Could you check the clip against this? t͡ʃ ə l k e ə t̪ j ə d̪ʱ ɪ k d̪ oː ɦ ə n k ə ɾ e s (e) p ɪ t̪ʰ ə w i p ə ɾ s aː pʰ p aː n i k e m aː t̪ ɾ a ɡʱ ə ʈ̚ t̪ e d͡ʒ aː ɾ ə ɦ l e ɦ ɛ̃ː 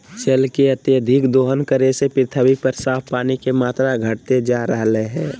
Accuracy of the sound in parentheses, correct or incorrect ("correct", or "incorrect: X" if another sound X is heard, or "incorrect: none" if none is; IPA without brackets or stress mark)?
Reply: correct